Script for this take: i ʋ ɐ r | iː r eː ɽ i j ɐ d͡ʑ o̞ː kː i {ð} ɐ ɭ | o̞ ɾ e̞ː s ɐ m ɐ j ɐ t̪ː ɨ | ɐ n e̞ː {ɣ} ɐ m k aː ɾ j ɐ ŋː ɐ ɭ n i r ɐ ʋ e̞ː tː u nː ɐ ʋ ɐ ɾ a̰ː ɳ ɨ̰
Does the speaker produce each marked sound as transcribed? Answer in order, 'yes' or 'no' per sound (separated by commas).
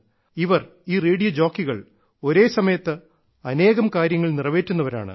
no, yes